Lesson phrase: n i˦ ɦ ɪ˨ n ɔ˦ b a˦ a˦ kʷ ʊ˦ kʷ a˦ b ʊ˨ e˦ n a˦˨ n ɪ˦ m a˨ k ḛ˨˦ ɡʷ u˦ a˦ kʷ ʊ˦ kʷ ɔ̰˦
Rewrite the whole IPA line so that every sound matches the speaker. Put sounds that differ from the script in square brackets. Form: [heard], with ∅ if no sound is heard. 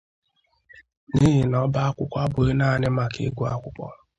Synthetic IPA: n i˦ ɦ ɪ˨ n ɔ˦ b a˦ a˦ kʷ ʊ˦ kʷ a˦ b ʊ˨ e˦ n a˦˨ n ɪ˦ m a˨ k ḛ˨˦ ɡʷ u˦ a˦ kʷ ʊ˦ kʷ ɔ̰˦